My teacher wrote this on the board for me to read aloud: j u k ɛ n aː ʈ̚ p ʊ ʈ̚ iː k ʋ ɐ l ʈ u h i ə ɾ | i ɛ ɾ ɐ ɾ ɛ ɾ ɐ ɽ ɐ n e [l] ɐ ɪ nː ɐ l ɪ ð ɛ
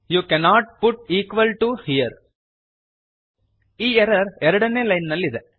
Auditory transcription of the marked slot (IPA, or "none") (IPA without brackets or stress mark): l